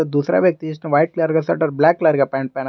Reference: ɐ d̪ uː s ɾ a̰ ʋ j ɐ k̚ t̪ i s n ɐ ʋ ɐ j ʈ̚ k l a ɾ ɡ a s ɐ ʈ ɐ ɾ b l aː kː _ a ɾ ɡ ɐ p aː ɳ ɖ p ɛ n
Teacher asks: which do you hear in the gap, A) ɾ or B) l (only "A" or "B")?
B